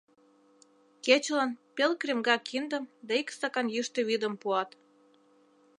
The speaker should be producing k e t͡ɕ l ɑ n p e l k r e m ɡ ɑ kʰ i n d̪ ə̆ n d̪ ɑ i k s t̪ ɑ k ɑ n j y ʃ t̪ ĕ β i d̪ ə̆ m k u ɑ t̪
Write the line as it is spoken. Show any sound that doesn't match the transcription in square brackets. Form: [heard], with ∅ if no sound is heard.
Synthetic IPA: k e t͡ɕ l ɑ n p e l k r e m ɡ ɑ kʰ i n d̪ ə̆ [m] d̪ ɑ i k s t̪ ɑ k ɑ n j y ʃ t̪ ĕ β i d̪ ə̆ m [p] u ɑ t̪